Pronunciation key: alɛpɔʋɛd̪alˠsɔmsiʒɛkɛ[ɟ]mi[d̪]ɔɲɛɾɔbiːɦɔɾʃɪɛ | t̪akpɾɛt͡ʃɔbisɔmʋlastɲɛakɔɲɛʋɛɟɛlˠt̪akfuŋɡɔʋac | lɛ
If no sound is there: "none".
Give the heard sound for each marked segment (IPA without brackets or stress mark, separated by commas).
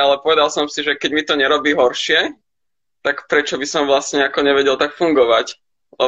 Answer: ɟ, t̪